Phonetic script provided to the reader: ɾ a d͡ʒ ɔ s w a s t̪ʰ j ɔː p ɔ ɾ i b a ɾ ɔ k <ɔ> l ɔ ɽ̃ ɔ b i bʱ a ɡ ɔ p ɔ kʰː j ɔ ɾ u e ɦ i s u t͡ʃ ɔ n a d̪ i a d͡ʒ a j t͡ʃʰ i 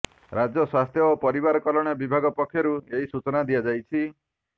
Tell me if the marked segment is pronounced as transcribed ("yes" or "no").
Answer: yes